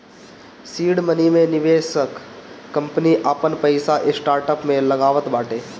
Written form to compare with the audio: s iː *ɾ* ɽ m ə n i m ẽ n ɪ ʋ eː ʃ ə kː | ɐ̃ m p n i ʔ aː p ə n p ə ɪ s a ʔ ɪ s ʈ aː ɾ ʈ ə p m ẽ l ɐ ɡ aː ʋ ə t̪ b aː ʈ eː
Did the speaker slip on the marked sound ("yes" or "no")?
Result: yes